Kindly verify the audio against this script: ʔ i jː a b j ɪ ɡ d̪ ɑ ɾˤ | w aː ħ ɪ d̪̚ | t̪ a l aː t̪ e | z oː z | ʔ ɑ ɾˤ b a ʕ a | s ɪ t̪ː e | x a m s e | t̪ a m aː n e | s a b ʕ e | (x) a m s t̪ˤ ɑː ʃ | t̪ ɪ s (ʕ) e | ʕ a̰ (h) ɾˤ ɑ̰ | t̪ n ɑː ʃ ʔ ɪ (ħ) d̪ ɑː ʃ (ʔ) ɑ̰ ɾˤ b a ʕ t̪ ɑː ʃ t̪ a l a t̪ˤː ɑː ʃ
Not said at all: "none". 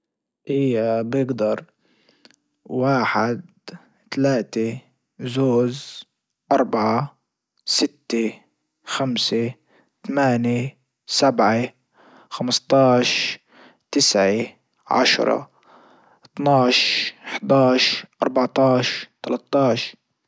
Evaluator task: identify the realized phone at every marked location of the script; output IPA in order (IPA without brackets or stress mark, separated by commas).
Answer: x, ʕ, ʃ, ħ, ʔ